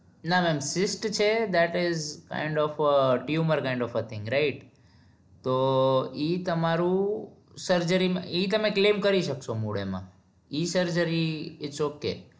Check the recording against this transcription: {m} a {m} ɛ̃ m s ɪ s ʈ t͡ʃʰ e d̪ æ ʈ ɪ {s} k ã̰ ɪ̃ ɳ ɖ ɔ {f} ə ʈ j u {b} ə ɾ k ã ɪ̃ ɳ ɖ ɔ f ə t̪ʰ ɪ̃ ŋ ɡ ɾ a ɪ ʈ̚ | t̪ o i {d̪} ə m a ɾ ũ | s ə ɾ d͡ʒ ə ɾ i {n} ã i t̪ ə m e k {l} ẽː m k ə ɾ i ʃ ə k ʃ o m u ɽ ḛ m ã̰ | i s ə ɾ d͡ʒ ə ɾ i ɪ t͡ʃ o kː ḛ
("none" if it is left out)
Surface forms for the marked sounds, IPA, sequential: n, m, z, f, m, t̪, m, l

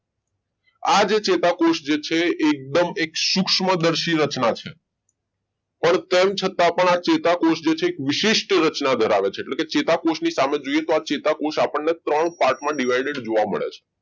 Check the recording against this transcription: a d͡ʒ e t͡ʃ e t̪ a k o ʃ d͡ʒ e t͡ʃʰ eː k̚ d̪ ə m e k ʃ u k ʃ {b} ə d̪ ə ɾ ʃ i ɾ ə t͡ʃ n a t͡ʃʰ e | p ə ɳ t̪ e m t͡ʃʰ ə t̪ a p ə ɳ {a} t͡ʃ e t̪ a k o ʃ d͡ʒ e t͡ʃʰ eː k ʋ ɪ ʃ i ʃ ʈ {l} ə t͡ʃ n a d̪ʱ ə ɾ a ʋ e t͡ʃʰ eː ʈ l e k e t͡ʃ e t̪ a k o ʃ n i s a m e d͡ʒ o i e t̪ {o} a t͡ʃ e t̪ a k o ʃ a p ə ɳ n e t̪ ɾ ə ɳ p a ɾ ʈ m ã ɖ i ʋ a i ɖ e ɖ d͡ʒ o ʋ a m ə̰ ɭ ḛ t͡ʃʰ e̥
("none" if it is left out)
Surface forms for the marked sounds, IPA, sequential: m, a, ɾ, o

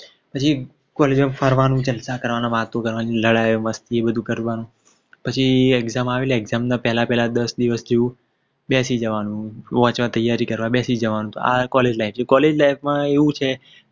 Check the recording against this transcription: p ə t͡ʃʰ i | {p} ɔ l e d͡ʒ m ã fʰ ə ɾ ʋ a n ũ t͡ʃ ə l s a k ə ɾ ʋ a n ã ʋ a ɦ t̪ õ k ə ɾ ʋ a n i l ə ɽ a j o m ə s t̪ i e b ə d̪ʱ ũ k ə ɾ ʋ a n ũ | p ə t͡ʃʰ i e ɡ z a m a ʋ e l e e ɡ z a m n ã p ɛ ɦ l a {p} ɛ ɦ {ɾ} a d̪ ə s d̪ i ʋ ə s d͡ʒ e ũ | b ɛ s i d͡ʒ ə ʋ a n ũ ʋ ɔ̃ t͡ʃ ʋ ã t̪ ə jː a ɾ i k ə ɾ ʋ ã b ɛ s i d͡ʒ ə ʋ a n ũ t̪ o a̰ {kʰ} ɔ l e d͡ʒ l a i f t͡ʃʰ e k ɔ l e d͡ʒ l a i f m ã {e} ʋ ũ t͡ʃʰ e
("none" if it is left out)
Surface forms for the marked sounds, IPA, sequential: k, p, l, k, e

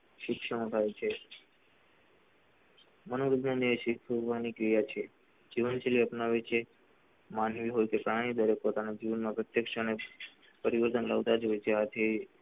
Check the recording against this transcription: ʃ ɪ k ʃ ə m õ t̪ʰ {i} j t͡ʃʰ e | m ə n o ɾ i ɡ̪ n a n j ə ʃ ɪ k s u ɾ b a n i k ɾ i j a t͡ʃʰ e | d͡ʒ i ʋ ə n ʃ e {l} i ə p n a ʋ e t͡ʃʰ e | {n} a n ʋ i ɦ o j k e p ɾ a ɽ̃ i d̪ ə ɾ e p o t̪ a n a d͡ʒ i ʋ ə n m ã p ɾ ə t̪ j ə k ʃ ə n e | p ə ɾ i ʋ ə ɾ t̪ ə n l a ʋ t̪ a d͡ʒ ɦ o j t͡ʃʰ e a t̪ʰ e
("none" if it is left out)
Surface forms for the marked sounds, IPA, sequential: a, l, m

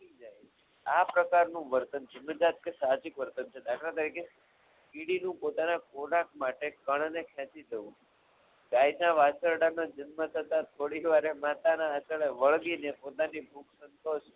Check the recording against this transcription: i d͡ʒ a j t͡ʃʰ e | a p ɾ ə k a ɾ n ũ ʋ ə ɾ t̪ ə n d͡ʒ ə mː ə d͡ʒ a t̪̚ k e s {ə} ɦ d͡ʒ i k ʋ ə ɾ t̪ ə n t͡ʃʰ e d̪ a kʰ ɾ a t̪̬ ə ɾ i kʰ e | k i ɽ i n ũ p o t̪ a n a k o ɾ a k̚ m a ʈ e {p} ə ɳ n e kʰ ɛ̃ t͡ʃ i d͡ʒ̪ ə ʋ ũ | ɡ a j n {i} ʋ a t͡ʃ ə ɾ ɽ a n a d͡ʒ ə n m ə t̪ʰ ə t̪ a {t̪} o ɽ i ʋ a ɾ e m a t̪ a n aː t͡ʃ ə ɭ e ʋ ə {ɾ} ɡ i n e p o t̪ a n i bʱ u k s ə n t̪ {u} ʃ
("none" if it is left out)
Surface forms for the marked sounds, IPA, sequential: a, k, a, t̪ʰ, ɭ, o

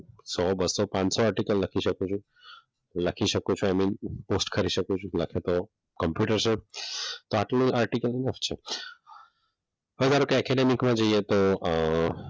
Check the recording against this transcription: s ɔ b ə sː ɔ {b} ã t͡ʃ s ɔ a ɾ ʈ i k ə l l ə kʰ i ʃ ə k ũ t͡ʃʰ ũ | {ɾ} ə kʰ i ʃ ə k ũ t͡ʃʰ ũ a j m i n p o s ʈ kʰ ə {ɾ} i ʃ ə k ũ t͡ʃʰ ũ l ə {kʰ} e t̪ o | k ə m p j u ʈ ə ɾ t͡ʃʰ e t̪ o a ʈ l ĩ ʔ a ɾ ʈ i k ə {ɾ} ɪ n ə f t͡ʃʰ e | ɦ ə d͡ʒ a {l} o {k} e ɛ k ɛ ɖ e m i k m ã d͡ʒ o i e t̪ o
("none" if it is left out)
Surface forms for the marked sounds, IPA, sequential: p, l, ɾ, kʰ, l, ɾ, k

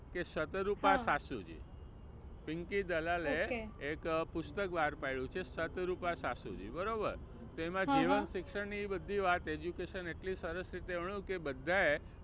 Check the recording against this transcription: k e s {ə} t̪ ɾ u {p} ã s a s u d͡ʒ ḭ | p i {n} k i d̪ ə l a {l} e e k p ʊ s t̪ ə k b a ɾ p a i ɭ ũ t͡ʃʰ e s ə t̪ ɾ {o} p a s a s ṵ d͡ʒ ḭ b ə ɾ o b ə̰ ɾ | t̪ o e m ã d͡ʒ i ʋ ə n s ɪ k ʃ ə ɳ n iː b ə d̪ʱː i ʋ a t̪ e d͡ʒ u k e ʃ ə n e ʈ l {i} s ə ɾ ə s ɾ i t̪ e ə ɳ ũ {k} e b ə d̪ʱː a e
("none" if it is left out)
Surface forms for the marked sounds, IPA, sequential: ə, p, ŋ, l, u, i, k

